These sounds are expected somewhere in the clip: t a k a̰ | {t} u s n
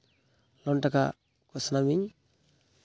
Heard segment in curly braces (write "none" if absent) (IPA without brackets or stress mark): k